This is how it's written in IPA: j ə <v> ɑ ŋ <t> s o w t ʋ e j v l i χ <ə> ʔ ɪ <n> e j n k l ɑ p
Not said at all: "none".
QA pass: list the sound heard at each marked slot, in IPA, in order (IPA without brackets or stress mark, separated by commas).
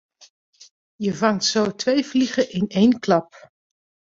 v, t, ə, n